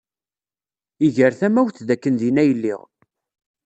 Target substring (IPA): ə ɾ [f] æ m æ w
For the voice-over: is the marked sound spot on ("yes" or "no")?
no